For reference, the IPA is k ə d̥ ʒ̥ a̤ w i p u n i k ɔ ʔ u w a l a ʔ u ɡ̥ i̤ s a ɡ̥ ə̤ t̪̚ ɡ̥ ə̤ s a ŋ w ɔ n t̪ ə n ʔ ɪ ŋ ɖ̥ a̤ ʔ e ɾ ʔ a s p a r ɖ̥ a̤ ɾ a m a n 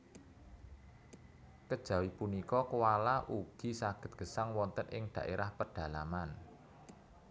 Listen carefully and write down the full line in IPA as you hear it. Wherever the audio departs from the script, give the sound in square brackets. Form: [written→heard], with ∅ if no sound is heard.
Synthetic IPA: k ə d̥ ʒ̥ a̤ w i p u n i k ɔ [ʔ→k] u w a l a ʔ u ɡ̥ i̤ s a ɡ̥ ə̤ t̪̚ ɡ̥ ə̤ s a ŋ w ɔ n t̪ ə n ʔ ɪ ŋ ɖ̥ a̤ ʔ e ɾ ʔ a [s→h] p [a→ə] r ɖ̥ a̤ [ɾ→l] a m a n

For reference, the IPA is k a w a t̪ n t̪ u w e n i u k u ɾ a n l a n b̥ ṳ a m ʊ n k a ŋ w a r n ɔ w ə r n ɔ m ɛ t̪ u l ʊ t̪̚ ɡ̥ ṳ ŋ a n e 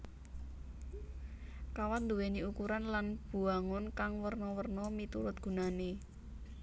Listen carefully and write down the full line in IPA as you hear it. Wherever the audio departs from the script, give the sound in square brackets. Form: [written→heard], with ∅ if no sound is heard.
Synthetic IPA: k a w a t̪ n [t̪→d̪] u w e n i u k u ɾ a n l a n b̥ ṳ a [m→ŋ] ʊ n k a ŋ w [a→ə] r n ɔ w ə r n ɔ m [ɛ→i] t̪ u [l→ɾ] ʊ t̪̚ ɡ̥ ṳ [ŋ→n] a n e

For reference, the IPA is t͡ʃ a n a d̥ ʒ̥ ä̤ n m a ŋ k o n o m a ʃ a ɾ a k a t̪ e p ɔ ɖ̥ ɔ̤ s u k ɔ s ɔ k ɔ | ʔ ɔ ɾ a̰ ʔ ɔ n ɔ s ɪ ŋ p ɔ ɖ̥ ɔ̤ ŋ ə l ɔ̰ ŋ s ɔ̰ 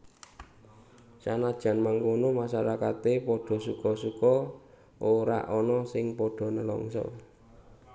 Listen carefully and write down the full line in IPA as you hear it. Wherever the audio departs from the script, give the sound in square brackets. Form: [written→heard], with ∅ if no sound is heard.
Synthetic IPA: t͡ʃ a n a d̥ ʒ̥ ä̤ n m a ŋ k o n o m a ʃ a ɾ a k a t̪ e p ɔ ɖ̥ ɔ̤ s u k ɔ s [ɔ→u] k ɔ | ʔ [ɔ→o] ɾ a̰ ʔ ɔ n ɔ s ɪ ŋ p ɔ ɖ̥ ɔ̤ [ŋ→n] ə l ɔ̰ ŋ s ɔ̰

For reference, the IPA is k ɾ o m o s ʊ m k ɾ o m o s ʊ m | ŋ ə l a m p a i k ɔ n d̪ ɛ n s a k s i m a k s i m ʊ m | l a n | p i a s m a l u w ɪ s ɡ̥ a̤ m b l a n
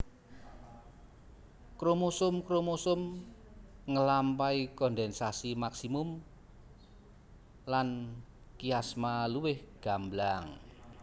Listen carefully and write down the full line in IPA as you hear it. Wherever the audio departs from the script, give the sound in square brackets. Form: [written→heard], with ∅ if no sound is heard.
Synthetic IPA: k ɾ o m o s ʊ m k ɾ o m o s ʊ m | ŋ ə l a m p a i k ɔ n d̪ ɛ n s a [k→∅] s i m a k s i m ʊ m | l a n | [p→k] i a s m a l u w ɪ [s→h] ɡ̥ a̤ m b l a [n→ŋ]

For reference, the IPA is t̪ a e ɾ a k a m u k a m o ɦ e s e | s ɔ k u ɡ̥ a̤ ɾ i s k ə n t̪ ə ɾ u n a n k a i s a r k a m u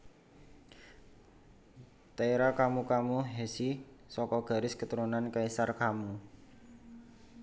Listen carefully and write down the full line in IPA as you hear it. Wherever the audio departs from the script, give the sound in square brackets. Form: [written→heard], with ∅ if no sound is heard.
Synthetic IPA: t̪ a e ɾ a k a m u k a m [o→u] ɦ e s [e→i] | s ɔ k [u→ɔ] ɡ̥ a̤ ɾ [i→ɪ] s k ə [n→∅] t̪ ə ɾ u n a n k a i s a r k a m u

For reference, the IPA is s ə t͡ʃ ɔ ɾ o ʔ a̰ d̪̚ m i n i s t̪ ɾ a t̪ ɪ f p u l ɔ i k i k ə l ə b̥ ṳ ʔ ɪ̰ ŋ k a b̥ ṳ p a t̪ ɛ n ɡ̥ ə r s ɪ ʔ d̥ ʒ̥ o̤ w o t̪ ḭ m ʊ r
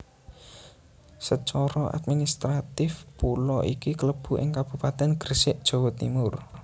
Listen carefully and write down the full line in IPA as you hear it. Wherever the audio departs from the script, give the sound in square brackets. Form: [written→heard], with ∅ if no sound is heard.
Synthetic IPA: s ə t͡ʃ ɔ ɾ [o→ɔ] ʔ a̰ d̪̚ m i n i s t̪ ɾ a t̪ ɪ f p u l ɔ i k i k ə l ə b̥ ṳ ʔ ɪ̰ ŋ k a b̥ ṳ p a t̪ ɛ n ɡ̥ ə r s ɪ ʔ d̥ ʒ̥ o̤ w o t̪ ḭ m ʊ r

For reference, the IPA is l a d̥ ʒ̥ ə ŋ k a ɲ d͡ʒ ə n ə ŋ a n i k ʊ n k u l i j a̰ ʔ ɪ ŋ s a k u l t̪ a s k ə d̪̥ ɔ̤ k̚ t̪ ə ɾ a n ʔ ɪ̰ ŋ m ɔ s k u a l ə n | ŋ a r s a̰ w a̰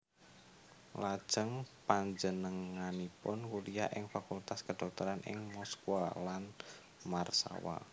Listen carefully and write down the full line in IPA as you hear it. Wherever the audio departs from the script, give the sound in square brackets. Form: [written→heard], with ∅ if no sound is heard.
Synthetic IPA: l a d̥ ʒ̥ ə ŋ [k→p] a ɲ d͡ʒ ə n ə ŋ a n i [k→p] ʊ n k u l i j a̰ ʔ ɪ ŋ [s→f] a k u l t̪ a s k ə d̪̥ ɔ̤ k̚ t̪ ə ɾ a n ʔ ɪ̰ ŋ m ɔ s k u a l [ə→a] n | [ŋ→m] a r s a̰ w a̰

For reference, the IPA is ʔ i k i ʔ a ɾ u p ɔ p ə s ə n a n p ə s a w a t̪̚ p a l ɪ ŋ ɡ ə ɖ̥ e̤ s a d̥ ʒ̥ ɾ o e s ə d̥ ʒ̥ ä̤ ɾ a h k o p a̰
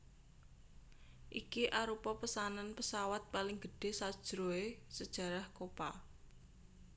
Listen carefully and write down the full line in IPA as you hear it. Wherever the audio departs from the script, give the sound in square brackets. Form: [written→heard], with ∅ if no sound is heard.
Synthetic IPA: ʔ i k i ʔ a ɾ u p ɔ p ə s [ə→a] n a n p ə s a w a t̪̚ p a l ɪ ŋ ɡ ə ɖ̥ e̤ s a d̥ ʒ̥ ɾ o e s ə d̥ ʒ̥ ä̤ ɾ a h k o p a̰

